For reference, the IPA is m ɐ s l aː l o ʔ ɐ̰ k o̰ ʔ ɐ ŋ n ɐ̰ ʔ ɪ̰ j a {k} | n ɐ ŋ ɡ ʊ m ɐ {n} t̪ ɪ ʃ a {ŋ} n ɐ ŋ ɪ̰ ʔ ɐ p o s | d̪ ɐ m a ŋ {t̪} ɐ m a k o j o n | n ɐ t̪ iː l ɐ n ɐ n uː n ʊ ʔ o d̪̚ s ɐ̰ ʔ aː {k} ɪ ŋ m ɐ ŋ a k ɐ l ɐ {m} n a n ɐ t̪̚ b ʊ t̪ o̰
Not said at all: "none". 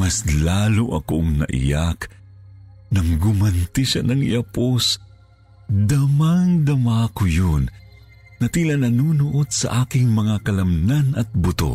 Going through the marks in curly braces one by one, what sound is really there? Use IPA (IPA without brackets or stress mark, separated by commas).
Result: k, n, none, d̪, k, m